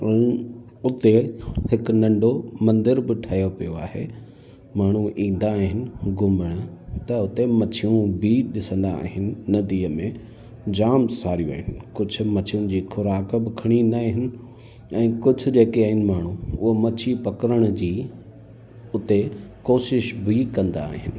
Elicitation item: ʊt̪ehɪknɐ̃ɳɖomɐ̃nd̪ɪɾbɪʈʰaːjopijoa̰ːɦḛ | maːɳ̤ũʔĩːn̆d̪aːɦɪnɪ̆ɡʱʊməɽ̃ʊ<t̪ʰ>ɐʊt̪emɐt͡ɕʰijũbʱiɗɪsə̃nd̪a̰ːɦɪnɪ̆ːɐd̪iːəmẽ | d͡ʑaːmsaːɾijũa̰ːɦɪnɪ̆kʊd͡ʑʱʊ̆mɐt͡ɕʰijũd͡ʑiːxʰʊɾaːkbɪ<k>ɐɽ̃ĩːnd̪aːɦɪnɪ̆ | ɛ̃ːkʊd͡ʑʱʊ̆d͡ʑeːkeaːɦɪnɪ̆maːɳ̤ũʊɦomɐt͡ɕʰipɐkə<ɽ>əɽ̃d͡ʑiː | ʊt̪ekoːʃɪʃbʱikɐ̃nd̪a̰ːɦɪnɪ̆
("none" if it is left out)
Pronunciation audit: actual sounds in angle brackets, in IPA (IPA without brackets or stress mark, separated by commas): t̪, kʰ, ɾ